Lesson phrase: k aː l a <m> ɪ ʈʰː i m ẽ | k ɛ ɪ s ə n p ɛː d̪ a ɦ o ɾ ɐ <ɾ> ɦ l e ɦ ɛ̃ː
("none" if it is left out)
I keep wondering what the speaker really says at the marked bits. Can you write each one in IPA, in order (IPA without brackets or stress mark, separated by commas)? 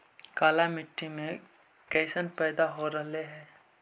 m, none